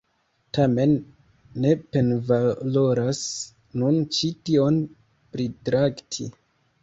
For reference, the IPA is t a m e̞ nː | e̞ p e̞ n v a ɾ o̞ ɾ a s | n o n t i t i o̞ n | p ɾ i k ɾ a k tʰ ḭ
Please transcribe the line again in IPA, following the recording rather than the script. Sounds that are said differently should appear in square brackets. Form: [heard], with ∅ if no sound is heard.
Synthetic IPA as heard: t a m e̞ nː | e̞ p e̞ n v a [l] o̞ ɾ a s | n [u] n [t͡ʃ] i t i o̞ n | p ɾ i [t] ɾ a k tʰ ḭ